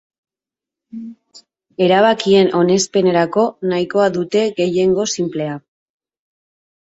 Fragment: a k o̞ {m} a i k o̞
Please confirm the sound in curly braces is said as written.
no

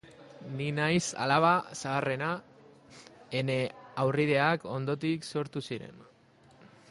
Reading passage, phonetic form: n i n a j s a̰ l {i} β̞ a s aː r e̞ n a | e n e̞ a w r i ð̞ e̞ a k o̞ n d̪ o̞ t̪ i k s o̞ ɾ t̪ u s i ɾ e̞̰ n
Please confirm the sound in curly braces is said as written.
no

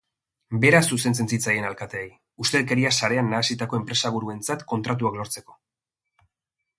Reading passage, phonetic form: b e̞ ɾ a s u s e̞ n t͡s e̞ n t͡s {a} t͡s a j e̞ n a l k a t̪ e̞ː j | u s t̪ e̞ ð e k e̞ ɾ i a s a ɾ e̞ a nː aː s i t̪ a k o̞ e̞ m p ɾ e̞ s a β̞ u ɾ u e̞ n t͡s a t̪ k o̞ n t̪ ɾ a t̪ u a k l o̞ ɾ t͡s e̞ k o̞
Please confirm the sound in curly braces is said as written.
no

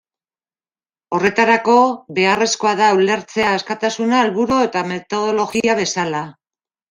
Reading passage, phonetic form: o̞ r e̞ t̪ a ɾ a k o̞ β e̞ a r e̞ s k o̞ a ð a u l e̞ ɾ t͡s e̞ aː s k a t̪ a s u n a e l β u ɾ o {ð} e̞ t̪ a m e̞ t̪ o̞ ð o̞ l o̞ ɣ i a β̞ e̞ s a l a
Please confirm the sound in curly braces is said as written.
no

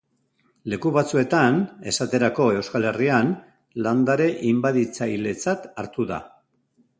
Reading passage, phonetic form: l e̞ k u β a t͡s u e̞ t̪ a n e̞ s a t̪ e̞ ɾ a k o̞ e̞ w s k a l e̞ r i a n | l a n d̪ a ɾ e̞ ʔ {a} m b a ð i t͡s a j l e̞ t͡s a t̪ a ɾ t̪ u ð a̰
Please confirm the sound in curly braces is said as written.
no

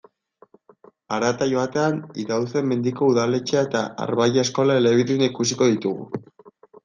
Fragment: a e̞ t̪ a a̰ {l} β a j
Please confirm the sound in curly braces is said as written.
no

